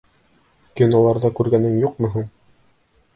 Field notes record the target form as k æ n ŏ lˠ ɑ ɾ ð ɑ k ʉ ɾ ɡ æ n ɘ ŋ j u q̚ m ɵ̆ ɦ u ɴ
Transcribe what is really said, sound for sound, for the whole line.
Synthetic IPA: k i n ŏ lˠ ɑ ɾ ð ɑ k ʉ ɾ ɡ æ n ɘ ŋ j u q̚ m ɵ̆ ɦ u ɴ